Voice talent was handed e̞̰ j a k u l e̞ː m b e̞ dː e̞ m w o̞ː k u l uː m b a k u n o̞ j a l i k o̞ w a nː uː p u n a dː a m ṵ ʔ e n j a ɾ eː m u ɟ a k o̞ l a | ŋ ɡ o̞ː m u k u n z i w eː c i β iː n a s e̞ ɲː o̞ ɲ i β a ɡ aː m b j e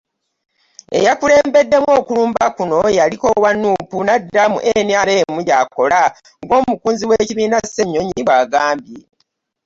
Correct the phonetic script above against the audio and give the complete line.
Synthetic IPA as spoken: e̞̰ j a k u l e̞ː m b e̞ dː e̞ m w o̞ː k u l uː m b a k u n o̞ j a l i k o̞ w a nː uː p u n a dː a m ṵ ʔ e n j a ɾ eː m u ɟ a k o̞ l a | ŋ ɡ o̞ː m u k uː n z i w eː c i β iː n a s e̞ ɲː o̞ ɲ i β a ɡ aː m b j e

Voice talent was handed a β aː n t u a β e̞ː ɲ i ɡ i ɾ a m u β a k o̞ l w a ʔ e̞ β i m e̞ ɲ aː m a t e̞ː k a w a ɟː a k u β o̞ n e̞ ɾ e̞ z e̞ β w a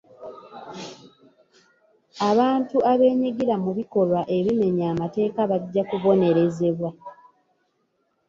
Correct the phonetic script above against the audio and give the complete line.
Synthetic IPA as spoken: a β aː n t u a β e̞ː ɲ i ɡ i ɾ a m u β i k o̞ l w a ʔ e̞ β i m e̞ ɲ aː m a t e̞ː k a β a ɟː a k u β o̞ n e̞ ɾ e̞ z e̞ β w a

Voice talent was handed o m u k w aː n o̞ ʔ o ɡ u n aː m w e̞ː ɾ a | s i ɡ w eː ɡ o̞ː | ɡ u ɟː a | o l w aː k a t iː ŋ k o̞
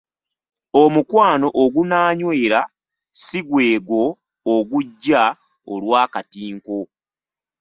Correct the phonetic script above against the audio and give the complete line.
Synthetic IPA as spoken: o m u k w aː n o̞ ʔ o ɡ u n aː ɲ w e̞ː ɾ a | s i ɡ w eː ɡ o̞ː | ɡ u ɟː a | o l w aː k a t iː ŋ k o̞

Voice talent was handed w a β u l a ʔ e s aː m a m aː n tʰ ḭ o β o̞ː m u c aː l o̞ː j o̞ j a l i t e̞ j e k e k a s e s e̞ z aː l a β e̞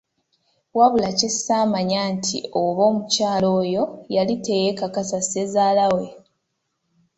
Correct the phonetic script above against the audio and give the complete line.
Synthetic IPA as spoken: w a β u l a c e s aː m a ɲ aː n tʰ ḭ o β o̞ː m u c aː l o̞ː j o̞ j a l i t e̞ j e k a k a s a s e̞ z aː l a w e̞

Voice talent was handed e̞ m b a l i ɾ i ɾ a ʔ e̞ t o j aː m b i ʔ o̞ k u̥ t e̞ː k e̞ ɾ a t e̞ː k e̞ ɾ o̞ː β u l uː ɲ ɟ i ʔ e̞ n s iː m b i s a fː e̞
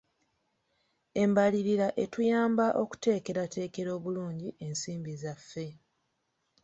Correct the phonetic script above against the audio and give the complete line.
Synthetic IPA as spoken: e̞ m b a l i ɾ i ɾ a ʔ e̞ t u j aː m b a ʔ o̞ k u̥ t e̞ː k e̞ ɾ a t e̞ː k e̞ ɾ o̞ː β u l uː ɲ ɟ i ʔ e̞ n s iː m b i z a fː e̞

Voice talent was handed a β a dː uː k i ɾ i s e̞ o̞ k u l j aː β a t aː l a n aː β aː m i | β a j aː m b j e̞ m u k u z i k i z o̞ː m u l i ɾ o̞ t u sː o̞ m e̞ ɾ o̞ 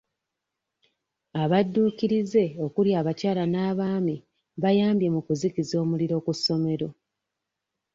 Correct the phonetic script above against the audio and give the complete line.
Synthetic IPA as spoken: a β a dː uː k i ɾ i z e̞ o̞ k u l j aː β a c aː l a n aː β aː m i | β a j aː m b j e̞ m u k u z i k i z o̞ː m u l i ɾ o̞ k u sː o̞ m e̞ ɾ o̞

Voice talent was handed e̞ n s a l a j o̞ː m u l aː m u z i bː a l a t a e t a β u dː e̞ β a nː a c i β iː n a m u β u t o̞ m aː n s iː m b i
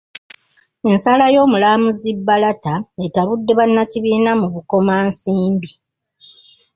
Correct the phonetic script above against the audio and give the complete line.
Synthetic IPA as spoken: e̞ n s a l a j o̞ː m u l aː m u z i bː a l a t a e t a β u dː e̞ β a nː a c i β iː n a m u β u k o̞ m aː n s iː m b i

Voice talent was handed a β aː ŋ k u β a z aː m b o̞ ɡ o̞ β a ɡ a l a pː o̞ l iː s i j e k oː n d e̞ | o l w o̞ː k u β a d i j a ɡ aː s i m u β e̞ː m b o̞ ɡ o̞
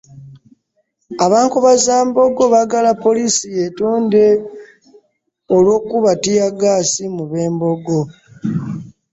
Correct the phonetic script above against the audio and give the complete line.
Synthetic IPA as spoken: a β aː ŋ k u β a z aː m b o̞ ɡ o̞ β a ɡ a l a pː o̞ l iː s i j e t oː n d e̞ | o l w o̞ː k u β a t i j a ɡ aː s i m u β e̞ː m b o̞ ɡ o̞

